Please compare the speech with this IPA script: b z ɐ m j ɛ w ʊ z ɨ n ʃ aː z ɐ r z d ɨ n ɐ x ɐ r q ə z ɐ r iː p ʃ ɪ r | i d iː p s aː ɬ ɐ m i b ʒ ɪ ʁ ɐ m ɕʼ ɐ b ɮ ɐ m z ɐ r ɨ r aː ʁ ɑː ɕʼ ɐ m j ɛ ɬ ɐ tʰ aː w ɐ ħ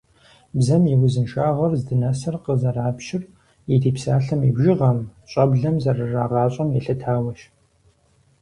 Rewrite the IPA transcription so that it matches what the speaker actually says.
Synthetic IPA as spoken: b z ɐ m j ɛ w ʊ z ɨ n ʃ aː ʁ ɐ r z d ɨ n ɐ s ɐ r q ə z ɐ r aː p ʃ ɪ r | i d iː p s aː ɬ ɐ m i b ʒ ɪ ʁ ɐ m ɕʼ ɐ b ɮ ɐ m z ɐ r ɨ r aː ʁ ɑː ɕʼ ɐ m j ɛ ɬ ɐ tʰ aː w ɐ ʃ

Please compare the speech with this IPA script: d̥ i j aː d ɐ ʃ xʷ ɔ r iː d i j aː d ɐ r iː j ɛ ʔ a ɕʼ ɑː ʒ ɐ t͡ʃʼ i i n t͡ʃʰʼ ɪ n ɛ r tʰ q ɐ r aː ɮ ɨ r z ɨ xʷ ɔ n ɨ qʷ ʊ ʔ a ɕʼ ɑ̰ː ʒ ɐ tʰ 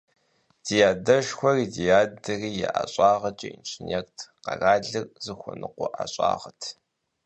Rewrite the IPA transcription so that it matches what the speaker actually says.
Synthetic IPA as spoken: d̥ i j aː d ɐ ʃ xʷ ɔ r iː d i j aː d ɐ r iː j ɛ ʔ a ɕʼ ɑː ʁ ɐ t͡ʃʼ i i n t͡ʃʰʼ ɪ n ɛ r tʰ q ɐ r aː ɮ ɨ r z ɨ xʷ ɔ n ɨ qʷ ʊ ʔ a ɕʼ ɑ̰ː ʁ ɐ tʰ

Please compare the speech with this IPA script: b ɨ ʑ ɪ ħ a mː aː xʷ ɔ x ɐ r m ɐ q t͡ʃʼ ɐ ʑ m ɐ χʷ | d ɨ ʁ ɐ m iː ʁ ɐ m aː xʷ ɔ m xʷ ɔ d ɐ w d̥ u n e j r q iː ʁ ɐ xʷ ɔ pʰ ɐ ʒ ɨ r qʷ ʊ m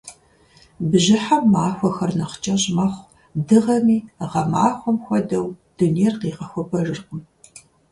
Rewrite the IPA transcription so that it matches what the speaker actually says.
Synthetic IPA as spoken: b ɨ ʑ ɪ ħ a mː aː xʷ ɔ x ɐ r n ɐ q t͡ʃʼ ɐ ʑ m ɐ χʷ | d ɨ ʁ ɐ m iː ʁ ɐ m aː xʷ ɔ m xʷ ɔ d ɐ w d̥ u n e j r q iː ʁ ɐ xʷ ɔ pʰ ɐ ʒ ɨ r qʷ ʊ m

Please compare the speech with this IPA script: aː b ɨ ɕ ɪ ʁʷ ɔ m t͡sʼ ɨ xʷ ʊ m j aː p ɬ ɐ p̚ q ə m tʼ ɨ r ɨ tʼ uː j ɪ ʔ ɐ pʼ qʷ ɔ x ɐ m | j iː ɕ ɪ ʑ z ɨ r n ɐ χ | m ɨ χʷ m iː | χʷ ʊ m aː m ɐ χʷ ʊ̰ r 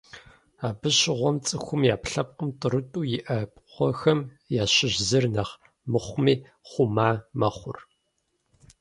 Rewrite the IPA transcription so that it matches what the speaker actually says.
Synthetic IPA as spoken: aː b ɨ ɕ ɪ ʁʷ ɔ m t͡sʼ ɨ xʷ ʊ m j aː p ɬ ɐ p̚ q ə m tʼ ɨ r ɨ tʼ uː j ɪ ʔ ɐ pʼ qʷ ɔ x ɐ m | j aː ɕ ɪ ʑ z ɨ r n ɐ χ | m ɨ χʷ m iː | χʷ ʊ m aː m ɐ χʷ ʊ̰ r

